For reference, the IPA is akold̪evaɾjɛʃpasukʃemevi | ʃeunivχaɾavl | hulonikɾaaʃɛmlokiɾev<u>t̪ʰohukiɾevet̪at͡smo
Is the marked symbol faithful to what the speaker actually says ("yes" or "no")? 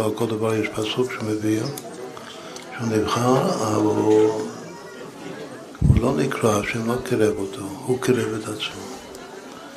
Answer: no